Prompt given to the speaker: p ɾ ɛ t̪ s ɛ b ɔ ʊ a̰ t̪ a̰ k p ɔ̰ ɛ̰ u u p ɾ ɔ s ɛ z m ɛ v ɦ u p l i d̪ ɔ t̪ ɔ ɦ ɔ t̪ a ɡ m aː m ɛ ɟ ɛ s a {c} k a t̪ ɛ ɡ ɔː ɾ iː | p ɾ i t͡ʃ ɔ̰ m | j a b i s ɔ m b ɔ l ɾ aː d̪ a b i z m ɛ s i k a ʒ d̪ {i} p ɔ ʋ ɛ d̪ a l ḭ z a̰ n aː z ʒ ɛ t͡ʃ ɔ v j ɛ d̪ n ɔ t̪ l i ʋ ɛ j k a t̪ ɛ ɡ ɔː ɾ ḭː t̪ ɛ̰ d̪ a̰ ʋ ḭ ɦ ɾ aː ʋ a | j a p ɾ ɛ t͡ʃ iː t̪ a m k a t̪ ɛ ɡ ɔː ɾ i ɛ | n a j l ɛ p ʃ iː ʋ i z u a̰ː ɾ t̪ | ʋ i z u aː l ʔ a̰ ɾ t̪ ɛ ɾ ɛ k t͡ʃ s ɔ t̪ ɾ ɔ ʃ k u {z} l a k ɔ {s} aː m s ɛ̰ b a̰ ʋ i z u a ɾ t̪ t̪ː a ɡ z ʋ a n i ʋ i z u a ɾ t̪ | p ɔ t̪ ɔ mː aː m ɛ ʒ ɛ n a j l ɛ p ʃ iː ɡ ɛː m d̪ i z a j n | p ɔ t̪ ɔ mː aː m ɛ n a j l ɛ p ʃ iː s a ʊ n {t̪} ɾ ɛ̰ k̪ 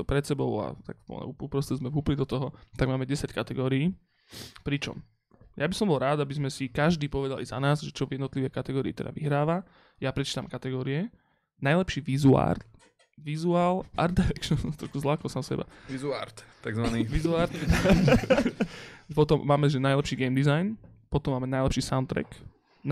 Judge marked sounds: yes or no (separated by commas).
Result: yes, no, yes, yes, yes